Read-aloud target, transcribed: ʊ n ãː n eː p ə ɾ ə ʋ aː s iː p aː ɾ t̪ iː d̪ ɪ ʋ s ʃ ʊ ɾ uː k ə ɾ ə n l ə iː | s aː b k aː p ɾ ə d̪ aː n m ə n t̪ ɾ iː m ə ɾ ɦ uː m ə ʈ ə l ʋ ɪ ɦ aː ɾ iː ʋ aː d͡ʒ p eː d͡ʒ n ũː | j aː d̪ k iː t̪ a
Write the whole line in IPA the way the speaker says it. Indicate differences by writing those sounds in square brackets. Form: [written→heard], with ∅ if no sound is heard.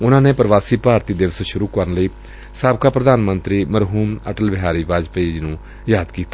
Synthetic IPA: ʊ n ãː n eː p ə ɾ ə ʋ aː s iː p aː ɾ t̪ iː d̪ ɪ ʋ s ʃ ʊ ɾ uː k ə ɾ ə n l ə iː | s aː b k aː p ɾ ə d̪ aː n m ə n t̪ ɾ iː m ə ɾ ɦ uː m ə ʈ ə l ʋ ɪ ɦ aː ɾ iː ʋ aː d͡ʒ p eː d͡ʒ n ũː | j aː d̪ k iː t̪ a